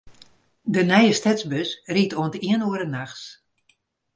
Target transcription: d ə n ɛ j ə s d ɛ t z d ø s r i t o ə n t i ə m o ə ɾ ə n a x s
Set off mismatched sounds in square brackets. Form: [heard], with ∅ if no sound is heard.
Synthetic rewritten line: d ə n ɛ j ə s [t] ɛ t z [b] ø s r i t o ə n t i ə [n] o ə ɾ ə n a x s